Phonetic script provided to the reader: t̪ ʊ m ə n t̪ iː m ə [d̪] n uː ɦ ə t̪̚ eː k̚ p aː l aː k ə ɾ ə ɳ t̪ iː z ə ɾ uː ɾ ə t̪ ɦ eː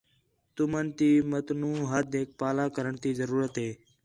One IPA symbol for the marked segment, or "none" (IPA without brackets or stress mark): t̪